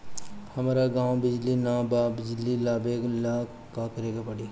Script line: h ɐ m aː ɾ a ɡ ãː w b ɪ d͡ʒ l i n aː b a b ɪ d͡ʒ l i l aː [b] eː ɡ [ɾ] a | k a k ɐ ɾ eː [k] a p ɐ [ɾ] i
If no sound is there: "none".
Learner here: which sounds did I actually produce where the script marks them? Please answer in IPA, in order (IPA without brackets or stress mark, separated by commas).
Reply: b, l, ɡ, ɽ